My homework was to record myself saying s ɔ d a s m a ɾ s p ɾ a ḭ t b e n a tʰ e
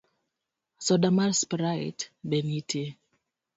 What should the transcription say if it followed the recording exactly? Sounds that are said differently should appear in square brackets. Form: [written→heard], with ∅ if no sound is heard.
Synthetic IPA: s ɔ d a [s→∅] m a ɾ s p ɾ a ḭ t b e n [a→i] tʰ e